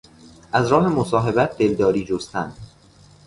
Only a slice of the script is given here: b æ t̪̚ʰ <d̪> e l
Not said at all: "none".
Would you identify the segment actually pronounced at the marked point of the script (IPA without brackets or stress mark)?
d̪